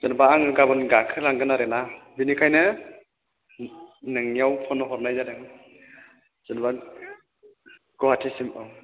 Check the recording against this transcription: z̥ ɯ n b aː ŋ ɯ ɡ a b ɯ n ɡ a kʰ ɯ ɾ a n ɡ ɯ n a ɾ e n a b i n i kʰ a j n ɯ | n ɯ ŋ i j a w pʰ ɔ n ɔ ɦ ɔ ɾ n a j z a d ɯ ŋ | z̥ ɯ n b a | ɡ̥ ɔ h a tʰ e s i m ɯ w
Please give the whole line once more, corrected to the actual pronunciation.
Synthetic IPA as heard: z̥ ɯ n b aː ŋ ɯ ɡ a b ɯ n ɡ a kʰ ɯ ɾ a ŋ ɡ ɯ n a ɾ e n a b i n i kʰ a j n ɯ | n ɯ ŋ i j a w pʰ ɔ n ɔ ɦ ɔ ɾ n a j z a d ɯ ŋ | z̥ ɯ n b a | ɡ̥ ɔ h a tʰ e s i m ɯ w